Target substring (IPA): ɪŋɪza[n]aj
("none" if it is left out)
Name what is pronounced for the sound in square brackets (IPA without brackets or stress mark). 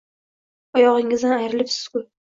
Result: n